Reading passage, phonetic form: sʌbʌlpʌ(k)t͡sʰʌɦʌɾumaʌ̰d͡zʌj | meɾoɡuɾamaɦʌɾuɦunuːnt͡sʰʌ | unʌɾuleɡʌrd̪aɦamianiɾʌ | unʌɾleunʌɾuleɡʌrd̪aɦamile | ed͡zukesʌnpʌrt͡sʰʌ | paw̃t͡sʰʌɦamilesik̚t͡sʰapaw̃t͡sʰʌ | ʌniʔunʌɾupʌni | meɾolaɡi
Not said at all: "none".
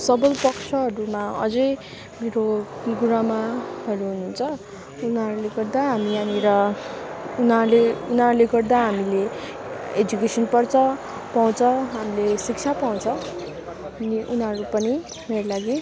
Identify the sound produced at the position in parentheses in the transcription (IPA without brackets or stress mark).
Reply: k